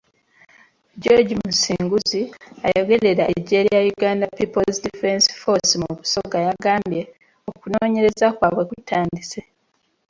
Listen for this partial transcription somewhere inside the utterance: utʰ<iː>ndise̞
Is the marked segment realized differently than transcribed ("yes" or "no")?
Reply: yes